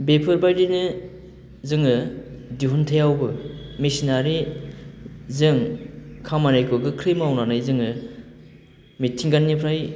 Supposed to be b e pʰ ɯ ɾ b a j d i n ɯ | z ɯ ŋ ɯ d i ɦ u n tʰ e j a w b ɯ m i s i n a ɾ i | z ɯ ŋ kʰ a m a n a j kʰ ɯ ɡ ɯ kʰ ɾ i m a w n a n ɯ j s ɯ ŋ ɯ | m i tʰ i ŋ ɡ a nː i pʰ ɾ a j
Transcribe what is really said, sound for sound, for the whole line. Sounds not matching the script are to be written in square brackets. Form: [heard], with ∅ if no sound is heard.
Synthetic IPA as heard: b e pʰ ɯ ɾ b a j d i n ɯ | z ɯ ŋ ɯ d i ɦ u n tʰ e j a w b ɯ m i s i n a ɾ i | z ɯ ŋ kʰ a m a n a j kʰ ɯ ɡ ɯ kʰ ɾ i m a w n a n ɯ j [z] ɯ ŋ ɯ | m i tʰ i ŋ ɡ a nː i pʰ ɾ a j